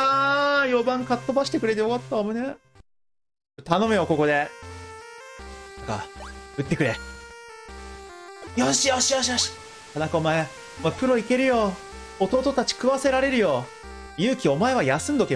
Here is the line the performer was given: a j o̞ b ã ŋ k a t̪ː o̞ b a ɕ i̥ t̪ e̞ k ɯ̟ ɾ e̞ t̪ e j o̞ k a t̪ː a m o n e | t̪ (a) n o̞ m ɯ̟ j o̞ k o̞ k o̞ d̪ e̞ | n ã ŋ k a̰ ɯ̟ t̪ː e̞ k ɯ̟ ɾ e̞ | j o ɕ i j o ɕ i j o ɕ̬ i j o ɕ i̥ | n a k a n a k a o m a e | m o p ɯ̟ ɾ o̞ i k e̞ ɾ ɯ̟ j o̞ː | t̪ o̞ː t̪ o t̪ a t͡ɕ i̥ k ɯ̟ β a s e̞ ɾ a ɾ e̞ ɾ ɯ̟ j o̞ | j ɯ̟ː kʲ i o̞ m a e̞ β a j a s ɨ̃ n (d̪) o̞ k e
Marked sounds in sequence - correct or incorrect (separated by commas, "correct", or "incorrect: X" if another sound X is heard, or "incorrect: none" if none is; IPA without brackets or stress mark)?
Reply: correct, correct